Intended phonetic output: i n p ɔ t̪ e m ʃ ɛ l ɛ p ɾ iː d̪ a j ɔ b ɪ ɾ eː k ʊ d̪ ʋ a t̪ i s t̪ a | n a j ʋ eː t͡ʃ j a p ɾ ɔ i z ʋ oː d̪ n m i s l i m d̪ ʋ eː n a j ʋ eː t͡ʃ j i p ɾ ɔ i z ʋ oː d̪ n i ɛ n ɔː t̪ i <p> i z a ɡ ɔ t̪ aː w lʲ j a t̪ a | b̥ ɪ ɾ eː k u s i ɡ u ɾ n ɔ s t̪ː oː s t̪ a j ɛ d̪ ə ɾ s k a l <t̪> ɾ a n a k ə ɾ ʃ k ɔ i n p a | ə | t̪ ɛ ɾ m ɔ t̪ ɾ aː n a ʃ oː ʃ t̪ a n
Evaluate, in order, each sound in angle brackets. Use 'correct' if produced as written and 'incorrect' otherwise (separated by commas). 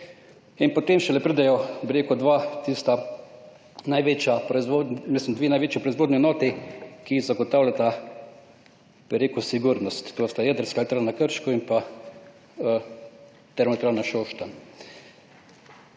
incorrect, correct